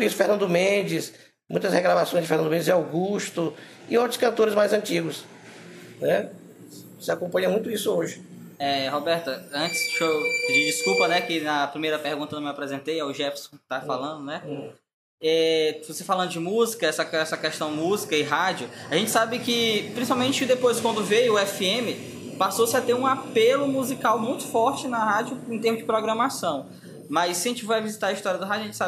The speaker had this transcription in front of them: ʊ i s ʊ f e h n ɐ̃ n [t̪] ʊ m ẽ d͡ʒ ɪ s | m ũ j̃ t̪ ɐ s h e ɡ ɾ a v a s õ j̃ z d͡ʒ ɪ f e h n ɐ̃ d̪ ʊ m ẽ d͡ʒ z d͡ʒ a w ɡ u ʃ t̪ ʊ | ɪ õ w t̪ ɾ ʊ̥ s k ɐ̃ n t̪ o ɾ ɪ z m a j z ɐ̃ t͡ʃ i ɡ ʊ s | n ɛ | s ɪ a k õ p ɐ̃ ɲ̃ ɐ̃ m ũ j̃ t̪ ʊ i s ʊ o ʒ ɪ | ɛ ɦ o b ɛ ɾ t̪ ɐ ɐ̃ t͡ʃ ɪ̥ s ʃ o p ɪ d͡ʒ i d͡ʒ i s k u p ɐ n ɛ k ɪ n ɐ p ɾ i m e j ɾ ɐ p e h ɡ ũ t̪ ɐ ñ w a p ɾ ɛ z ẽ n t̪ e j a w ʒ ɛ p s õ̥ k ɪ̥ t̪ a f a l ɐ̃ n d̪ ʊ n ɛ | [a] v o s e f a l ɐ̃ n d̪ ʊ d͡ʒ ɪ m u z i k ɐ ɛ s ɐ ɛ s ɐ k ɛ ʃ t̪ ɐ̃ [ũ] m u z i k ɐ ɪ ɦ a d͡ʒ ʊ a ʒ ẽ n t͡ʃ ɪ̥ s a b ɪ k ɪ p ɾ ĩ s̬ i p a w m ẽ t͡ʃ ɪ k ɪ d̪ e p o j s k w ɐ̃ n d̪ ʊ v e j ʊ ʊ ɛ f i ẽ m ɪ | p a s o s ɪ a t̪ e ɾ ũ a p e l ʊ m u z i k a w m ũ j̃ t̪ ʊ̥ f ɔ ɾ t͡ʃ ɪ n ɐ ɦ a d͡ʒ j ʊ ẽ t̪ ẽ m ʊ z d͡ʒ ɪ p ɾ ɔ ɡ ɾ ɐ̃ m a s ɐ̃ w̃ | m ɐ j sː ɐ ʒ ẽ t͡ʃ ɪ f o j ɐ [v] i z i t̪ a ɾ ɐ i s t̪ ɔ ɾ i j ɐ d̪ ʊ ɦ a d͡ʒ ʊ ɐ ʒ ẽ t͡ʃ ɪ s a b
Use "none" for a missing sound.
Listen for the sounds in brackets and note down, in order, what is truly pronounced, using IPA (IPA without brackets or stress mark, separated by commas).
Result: d̪, ɛ, w̃, v